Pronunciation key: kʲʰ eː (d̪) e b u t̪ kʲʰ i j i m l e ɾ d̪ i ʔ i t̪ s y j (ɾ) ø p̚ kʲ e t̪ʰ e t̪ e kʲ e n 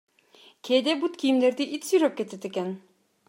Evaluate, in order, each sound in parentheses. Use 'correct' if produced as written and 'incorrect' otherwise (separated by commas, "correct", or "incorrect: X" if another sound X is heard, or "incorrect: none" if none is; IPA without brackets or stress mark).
correct, correct